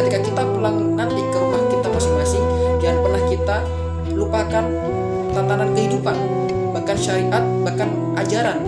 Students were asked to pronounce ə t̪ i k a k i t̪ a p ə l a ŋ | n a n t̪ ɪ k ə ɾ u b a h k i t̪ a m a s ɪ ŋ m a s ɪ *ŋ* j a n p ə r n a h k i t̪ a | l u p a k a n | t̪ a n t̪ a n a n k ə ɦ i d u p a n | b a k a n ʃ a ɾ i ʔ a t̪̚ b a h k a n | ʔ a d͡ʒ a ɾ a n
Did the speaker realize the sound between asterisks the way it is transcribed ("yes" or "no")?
yes